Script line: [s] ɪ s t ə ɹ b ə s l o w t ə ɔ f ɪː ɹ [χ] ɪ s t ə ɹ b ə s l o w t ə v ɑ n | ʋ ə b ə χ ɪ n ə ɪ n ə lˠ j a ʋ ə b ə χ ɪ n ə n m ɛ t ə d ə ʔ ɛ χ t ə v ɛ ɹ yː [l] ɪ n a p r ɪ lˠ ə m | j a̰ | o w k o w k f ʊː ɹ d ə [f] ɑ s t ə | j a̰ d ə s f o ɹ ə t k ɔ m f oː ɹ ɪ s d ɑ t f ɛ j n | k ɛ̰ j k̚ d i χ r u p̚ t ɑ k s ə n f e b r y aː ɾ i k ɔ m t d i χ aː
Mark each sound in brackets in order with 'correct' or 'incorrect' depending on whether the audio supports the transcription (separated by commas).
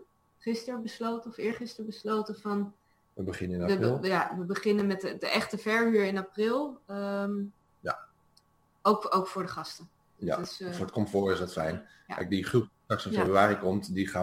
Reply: incorrect, correct, incorrect, incorrect